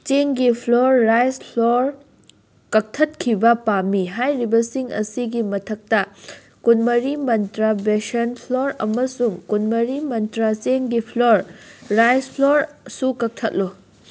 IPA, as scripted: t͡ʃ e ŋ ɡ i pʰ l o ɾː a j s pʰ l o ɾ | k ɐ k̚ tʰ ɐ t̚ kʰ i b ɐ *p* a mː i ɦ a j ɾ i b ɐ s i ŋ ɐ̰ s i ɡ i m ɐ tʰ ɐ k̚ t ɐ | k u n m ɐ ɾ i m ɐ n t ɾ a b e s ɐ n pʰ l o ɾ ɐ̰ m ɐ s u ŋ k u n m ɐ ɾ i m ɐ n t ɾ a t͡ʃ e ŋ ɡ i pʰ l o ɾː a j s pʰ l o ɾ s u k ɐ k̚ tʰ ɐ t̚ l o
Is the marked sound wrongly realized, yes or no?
no